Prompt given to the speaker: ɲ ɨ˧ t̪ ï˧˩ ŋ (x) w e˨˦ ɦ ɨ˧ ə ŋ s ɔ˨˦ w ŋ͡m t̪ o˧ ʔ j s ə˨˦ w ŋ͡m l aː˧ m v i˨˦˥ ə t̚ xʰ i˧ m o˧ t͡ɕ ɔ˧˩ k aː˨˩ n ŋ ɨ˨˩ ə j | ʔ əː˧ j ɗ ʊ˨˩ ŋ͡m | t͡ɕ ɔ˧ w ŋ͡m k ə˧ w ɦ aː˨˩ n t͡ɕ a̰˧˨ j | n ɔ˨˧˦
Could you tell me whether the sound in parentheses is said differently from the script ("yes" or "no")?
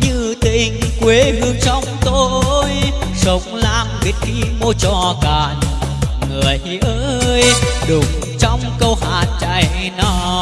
yes